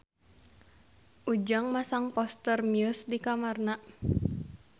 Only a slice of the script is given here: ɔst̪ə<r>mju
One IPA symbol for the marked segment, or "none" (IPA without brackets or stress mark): r